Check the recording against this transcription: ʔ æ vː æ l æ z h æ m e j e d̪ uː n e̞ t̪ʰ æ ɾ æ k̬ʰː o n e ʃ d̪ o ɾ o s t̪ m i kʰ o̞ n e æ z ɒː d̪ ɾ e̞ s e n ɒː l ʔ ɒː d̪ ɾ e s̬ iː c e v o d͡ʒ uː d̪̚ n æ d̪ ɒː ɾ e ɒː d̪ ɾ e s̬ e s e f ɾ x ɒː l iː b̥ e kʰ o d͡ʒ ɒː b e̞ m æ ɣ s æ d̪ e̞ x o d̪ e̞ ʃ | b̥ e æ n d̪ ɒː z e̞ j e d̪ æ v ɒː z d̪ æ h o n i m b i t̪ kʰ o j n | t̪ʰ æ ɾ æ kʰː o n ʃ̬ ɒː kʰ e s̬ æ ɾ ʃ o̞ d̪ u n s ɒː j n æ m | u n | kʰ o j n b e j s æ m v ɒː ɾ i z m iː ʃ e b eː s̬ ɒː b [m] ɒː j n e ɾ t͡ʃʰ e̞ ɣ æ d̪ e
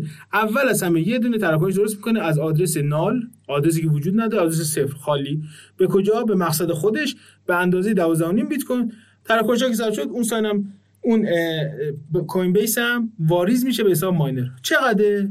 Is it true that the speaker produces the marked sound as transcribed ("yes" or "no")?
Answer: yes